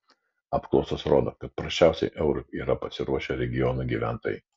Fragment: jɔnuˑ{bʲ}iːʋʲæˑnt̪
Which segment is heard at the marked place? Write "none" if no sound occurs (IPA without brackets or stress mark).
ɡʲ